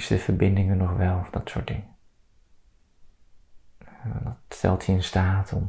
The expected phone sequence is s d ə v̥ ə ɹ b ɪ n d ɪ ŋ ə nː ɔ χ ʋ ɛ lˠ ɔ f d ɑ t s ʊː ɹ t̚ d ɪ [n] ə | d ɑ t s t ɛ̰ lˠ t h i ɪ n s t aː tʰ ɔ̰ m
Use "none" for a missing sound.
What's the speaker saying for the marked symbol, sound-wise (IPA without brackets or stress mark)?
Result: ŋ